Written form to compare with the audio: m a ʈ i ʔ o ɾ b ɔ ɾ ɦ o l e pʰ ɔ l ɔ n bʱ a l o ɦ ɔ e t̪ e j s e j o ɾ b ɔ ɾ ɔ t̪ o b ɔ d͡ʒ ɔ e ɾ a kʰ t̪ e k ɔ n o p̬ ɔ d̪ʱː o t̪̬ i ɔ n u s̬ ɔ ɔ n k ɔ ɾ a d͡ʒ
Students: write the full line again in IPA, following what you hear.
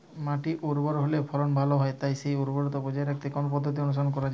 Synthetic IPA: m a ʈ i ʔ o ɾ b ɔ ɾ ɦ o l e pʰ ɔ l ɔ n bʱ a l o ɦ ɔ e t̪ a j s e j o ɾ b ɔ ɾ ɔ t̪ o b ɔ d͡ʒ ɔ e ɾ a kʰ t̪ e k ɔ n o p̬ ɔ d̪ʱː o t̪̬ i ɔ n u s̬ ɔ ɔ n k ɔ ɾ a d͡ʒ